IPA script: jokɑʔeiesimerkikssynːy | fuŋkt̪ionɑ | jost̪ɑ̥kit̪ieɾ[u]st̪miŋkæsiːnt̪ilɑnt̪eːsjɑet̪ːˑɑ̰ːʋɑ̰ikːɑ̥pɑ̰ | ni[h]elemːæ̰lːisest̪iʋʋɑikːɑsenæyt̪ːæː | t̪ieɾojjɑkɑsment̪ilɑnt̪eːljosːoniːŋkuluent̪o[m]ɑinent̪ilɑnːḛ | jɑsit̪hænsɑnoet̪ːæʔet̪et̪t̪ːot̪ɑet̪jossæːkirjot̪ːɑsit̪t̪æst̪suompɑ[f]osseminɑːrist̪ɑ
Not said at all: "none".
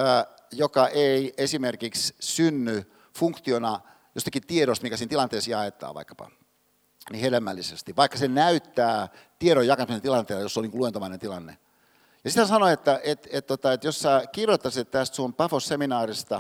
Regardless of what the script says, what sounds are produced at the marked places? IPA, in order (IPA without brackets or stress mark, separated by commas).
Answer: o, h, m, f